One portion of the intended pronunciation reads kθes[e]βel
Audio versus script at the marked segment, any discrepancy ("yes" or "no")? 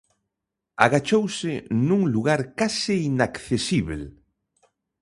yes